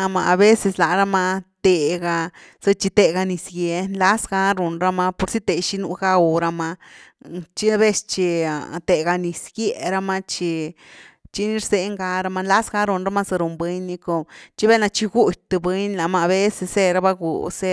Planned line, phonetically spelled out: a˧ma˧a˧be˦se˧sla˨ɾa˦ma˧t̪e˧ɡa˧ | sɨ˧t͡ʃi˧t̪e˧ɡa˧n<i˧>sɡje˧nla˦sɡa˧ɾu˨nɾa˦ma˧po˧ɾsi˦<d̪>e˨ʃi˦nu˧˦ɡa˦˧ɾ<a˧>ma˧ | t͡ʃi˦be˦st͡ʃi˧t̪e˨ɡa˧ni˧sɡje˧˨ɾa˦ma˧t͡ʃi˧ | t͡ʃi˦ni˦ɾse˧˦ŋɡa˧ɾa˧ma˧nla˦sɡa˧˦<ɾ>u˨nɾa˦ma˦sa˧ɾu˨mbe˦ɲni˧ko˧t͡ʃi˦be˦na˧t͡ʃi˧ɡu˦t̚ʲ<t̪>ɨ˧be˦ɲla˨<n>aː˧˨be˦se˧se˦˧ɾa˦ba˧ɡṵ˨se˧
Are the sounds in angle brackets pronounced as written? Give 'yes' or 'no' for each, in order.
yes, no, yes, yes, yes, no

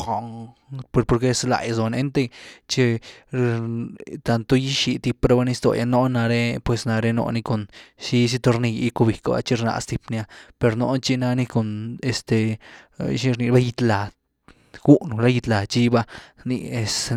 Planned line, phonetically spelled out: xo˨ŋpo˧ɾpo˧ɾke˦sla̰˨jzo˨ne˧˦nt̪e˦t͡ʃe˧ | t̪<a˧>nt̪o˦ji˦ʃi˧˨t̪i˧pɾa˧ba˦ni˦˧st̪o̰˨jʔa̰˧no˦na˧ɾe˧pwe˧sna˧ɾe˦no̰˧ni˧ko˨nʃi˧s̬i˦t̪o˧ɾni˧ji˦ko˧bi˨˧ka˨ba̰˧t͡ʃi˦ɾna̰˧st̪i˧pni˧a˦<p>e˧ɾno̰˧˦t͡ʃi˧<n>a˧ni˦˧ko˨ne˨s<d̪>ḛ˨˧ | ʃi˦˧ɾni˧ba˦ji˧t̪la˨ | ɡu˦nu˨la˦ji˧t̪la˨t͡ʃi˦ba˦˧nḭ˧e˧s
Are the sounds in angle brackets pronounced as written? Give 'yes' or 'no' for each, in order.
yes, yes, yes, no

